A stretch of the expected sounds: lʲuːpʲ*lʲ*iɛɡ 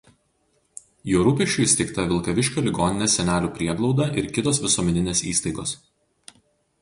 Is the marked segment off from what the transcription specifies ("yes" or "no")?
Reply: yes